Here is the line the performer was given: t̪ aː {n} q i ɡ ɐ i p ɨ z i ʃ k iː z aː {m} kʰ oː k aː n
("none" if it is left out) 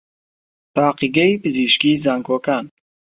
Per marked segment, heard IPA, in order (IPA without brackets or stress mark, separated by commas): none, ŋ